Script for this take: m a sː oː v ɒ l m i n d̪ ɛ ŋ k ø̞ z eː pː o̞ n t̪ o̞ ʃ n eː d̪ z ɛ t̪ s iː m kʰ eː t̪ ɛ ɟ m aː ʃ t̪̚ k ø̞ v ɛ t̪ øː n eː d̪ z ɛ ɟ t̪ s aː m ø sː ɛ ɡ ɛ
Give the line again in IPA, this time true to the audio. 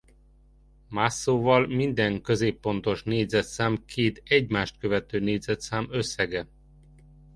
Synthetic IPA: m a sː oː v ɒ l m i n d̪ ɛ ŋ k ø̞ z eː pː o̞ n t̪ o̞ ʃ n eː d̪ z ɛ t̪ s aː m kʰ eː t̪ ɛ ɟ m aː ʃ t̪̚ k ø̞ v ɛ t̪ øː n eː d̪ z ɛ t̪ s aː m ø sː ɛ ɡ ɛ